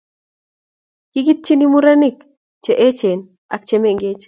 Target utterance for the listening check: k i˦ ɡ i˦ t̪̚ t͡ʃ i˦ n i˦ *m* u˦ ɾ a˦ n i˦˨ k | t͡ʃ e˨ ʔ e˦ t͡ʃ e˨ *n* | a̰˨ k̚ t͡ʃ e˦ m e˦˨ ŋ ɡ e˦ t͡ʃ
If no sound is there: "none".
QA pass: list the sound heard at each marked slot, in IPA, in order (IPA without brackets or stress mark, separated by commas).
m, n